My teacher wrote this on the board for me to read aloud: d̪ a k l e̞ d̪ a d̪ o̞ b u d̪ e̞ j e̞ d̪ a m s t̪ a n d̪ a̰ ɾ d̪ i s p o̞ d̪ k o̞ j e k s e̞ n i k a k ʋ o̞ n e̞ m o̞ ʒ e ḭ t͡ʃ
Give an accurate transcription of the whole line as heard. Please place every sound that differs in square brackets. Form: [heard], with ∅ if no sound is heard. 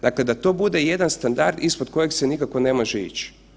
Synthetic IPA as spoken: d̪ a k l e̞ d̪ a [t̪] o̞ b u d̪ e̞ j e̞ d̪ a [n] s t̪ a n d̪ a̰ ɾ d̪ i s p o̞ d̪ k o̞ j e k s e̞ n i k a k ʋ o̞ n e̞ m o̞ ʒ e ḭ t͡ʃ